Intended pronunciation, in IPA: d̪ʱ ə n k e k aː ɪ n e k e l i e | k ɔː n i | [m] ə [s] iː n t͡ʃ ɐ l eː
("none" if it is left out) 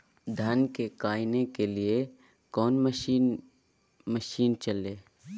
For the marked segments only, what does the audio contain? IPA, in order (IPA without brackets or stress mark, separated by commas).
m, ʃ